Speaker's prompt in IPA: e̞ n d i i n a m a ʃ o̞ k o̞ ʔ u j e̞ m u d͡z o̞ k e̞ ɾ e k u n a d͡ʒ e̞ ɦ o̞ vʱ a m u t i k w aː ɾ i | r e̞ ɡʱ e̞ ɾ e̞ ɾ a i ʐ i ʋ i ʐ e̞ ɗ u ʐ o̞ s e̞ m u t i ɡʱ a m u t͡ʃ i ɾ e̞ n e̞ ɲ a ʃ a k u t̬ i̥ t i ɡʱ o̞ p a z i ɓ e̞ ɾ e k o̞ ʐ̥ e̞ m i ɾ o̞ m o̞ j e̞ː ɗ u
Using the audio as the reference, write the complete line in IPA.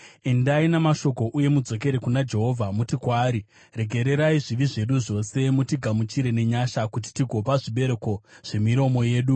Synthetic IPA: e̞ n d a i n a m a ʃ o̞ k o̞ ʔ u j e̞ m u d͡z o̞ k e̞ ɾ e k u n a d͡ʒ e̞ ɦ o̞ vʱ a m u t i k w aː ɾ i | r e̞ ɡʱ e̞ ɾ e̞ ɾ a i ʐ i ʋ i ʐ e̞ ɗ u ʐ o̞ s e̞ m u t i ɡʱ a m u t͡ʃ i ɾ e̞ n e̞ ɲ a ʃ a k u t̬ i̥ t i ɡʱ o̞ p a ʐ i ɓ e̞ ɾ e k o̞ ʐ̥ e̞ m i ɾ o̞ m o̞ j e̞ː ɗ u